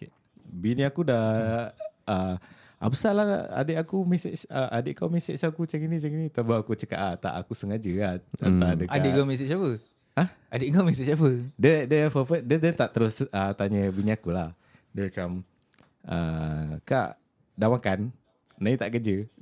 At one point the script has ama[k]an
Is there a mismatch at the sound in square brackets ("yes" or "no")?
no